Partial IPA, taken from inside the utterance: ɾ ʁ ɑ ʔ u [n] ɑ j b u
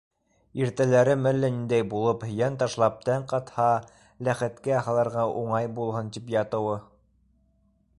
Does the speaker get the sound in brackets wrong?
yes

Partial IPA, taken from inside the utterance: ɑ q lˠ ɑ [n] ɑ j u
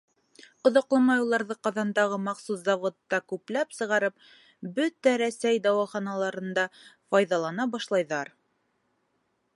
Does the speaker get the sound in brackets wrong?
yes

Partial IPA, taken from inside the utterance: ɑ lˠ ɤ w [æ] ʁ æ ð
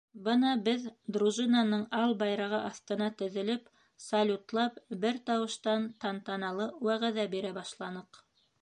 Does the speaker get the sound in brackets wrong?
no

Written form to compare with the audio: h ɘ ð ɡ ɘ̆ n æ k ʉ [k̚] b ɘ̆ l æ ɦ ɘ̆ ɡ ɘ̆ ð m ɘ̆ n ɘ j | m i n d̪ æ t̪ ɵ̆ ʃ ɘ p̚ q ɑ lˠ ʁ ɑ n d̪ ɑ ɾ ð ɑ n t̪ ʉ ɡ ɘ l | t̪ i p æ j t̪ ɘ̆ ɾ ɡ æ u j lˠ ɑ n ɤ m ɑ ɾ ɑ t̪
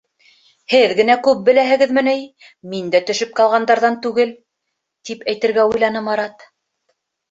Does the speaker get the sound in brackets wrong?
yes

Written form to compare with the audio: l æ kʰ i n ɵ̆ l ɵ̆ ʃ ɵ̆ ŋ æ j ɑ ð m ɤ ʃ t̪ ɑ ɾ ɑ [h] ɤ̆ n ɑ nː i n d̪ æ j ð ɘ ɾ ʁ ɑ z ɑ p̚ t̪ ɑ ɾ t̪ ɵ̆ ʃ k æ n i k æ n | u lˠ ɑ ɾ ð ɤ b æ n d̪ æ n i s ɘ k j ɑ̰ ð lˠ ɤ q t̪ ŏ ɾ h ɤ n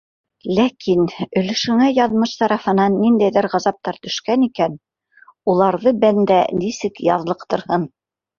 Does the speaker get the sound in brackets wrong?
yes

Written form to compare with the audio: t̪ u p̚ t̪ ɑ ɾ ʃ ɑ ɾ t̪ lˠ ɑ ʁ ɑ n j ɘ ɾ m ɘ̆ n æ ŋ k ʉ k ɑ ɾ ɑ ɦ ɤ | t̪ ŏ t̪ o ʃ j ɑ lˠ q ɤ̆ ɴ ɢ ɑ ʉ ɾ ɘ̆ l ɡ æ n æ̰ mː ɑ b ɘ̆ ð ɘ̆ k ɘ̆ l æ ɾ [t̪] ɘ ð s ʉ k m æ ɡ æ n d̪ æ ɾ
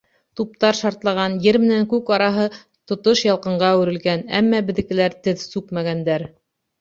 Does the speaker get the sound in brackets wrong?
no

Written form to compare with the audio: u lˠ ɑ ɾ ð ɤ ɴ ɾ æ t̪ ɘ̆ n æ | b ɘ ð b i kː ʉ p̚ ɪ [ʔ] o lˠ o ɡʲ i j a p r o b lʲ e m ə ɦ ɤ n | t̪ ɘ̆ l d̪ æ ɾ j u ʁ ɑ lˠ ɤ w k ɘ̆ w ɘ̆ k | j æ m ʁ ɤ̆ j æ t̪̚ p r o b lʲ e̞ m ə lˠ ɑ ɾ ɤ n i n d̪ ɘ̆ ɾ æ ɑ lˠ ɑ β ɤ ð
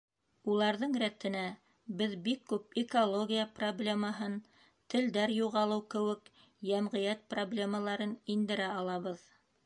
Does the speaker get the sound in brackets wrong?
yes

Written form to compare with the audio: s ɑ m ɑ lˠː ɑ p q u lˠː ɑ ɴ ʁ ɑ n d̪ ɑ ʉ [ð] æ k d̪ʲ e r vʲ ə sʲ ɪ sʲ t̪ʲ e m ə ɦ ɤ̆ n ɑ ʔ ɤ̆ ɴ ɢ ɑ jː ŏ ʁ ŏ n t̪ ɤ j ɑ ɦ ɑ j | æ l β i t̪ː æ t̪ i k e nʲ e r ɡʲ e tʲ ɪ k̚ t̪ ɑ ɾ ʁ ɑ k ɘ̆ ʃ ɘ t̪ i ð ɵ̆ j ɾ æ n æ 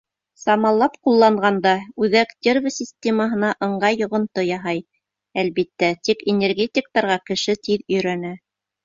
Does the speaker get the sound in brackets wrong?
no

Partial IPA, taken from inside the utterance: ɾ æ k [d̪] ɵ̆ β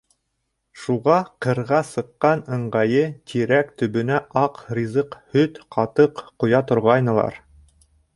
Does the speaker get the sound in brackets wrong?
yes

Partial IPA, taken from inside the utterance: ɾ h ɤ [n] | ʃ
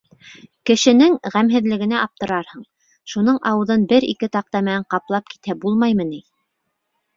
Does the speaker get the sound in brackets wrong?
yes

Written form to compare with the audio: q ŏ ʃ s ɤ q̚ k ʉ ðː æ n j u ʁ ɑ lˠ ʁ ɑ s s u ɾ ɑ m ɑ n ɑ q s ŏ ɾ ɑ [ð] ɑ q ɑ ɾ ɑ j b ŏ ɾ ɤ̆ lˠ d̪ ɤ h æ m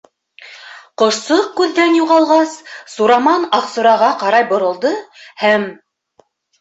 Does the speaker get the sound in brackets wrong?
yes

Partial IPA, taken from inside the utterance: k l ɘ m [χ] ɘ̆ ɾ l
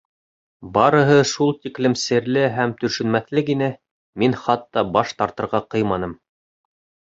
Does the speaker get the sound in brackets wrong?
yes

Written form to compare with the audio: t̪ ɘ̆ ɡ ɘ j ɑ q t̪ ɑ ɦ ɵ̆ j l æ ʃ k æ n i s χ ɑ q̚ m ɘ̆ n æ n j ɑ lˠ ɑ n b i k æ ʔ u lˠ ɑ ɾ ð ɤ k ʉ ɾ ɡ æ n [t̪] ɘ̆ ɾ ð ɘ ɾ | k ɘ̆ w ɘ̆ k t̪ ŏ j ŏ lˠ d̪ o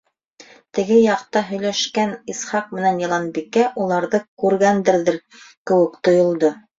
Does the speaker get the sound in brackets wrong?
yes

